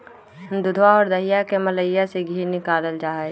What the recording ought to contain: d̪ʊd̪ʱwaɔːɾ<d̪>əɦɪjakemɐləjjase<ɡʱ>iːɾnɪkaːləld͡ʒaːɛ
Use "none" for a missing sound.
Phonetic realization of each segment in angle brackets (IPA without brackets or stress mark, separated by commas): d̪, ɡʱ